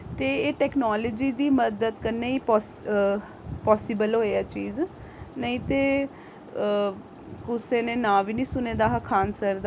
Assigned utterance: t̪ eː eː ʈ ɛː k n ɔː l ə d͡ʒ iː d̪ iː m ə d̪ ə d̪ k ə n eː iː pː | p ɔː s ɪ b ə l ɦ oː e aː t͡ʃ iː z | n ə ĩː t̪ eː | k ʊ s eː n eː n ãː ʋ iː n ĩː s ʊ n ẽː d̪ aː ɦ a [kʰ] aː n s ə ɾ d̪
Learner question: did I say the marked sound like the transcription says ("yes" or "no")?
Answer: yes